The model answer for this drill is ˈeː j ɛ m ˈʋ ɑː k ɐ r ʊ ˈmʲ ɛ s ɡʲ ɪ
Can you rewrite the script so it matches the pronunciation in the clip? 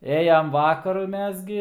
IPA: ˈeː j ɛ m ˈʋ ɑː k ɐ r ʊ ˈmʲ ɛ s ɡʲ ɪ